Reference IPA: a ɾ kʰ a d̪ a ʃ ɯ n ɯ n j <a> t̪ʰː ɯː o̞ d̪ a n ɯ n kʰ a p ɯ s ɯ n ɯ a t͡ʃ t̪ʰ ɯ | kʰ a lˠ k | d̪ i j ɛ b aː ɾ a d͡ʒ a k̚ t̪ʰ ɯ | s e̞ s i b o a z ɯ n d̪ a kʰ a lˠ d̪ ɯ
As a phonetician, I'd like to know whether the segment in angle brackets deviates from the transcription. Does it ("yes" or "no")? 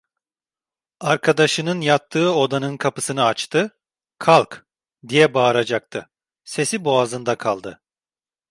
no